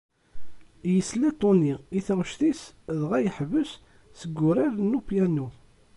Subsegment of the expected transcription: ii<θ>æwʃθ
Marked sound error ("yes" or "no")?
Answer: no